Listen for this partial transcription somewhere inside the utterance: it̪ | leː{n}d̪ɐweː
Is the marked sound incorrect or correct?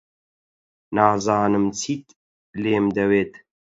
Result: incorrect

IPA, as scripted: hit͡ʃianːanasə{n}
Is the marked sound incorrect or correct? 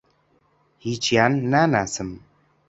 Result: incorrect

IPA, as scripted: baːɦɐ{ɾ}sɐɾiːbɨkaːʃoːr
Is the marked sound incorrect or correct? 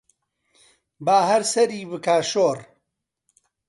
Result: correct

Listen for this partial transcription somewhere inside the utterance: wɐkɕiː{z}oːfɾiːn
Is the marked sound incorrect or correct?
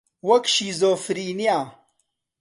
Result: correct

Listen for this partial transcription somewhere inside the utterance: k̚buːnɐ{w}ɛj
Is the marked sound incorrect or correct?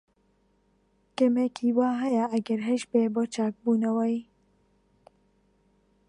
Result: correct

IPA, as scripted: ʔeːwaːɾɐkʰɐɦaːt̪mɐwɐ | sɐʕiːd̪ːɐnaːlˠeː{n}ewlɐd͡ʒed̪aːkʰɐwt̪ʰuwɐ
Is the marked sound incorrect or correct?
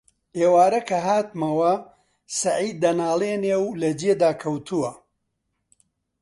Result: correct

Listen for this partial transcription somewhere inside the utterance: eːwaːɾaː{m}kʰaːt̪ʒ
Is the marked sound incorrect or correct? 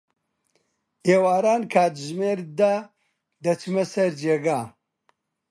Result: incorrect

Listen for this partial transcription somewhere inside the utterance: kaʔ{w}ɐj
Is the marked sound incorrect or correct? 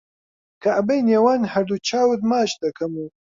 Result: incorrect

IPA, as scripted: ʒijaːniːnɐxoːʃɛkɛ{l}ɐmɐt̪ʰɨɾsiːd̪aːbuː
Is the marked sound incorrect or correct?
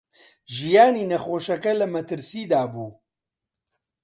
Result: correct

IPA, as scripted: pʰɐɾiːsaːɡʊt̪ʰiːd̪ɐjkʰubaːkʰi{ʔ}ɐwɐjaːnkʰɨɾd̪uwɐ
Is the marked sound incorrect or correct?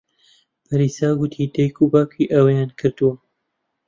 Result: correct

